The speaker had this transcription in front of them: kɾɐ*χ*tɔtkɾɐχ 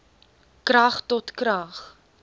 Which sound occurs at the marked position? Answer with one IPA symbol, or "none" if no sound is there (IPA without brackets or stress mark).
χ